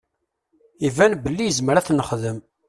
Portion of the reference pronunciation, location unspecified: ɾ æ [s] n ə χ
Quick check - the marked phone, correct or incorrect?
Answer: incorrect